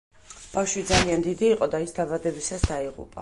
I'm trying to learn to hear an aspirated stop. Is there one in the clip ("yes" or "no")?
no